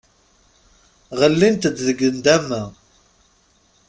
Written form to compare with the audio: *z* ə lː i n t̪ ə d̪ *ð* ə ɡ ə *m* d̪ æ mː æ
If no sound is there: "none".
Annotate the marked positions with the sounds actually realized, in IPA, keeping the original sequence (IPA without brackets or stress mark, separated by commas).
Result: ʁ, ð, n